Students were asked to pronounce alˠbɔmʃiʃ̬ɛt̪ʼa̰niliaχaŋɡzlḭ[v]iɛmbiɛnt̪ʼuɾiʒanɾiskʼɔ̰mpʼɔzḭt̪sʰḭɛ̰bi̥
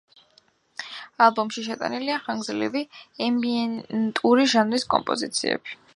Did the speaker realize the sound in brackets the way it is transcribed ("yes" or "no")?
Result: yes